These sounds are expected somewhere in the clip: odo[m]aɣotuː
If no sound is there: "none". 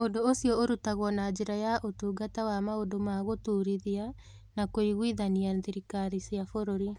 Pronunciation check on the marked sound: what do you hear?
m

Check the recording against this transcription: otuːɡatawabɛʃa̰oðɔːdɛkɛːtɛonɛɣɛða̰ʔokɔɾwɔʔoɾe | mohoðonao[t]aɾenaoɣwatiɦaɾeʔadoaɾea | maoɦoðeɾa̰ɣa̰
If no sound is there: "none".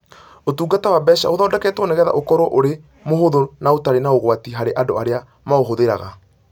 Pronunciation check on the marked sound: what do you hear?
t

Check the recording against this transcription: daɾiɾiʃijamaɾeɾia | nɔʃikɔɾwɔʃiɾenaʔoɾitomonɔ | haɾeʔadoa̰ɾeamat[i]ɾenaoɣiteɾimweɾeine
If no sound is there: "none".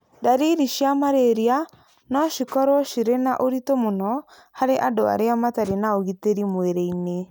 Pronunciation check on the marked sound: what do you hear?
a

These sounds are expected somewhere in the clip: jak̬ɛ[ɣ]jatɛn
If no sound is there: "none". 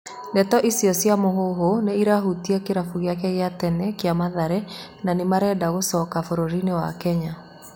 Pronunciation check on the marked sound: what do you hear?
ɣ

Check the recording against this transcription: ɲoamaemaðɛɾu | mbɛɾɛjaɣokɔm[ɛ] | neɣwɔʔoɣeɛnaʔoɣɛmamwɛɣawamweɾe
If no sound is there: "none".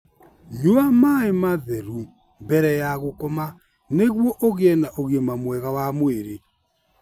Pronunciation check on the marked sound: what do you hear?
a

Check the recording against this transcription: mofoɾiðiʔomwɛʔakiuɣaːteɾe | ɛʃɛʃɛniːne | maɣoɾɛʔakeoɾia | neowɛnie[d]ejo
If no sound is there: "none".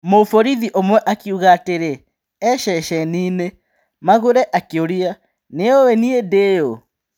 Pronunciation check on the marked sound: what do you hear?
d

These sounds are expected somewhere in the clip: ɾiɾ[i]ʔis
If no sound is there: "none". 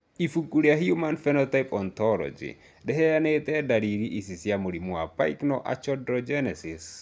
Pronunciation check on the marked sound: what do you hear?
i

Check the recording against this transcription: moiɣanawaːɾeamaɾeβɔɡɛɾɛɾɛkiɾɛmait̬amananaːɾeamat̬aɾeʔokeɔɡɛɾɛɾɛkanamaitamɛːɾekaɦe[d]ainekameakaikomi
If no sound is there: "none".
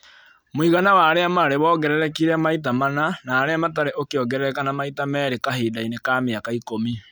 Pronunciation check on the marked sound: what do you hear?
d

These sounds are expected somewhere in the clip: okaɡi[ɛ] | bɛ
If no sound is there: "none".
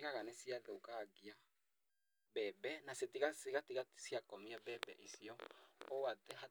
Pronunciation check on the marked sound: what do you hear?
a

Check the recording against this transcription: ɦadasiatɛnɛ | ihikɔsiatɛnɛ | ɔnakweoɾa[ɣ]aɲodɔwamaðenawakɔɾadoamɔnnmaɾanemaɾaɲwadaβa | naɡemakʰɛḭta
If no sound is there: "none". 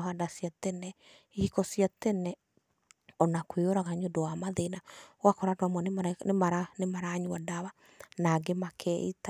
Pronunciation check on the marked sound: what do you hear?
ɣ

